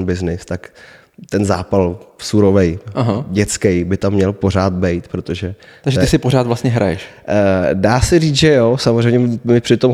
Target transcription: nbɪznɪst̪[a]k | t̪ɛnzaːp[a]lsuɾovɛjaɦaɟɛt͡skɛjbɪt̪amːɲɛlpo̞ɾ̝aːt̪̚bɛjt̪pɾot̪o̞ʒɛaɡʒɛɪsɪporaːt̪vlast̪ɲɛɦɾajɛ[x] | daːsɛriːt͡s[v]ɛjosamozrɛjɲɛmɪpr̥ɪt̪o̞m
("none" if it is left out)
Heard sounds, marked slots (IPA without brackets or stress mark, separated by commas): a, a, ʃ, ʒ